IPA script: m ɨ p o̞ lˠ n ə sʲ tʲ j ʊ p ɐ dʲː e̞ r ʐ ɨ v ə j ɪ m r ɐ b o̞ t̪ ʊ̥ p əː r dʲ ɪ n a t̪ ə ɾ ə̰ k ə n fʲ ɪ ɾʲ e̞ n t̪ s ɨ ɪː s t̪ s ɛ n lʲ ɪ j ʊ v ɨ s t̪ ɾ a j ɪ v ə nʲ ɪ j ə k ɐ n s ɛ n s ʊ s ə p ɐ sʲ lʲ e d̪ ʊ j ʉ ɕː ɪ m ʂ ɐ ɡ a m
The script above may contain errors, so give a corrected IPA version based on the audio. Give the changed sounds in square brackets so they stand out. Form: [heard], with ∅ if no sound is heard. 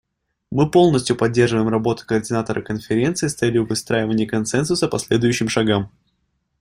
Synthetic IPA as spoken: m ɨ p o̞ lˠ n ə sʲ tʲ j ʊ p ɐ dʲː e̞ r ʐ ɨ v ə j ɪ m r ɐ b o̞ t̪ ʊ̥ [k] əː r dʲ ɪ n a t̪ ə ɾ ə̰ k ə n fʲ ɪ ɾʲ e̞ n t̪ s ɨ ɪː s t̪ s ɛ [∅] lʲ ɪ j ʊ v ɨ s t̪ ɾ a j ɪ v ə nʲ ɪ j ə k ɐ n s ɛ n s ʊ s ə p ɐ sʲ lʲ e d̪ ʊ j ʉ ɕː ɪ m ʂ ɐ ɡ a m